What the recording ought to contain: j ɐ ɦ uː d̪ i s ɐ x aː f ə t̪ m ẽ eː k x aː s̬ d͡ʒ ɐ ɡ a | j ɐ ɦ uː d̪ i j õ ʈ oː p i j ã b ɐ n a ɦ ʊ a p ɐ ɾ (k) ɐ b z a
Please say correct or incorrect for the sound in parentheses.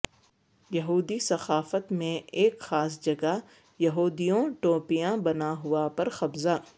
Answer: incorrect